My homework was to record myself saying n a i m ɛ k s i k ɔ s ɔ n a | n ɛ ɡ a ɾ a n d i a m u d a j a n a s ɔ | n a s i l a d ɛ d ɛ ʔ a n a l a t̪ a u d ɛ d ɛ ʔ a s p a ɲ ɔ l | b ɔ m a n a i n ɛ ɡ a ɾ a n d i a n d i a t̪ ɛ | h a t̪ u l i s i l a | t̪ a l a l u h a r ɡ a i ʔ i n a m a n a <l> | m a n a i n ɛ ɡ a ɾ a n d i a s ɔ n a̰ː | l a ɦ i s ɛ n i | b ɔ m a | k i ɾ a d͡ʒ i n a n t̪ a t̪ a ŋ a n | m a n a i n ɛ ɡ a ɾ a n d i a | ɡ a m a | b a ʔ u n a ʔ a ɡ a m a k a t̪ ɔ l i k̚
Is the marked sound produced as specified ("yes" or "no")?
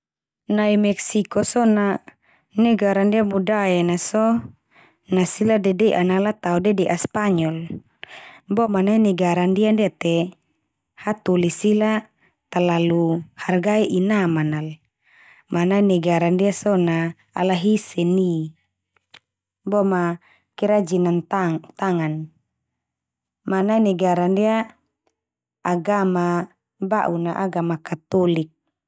yes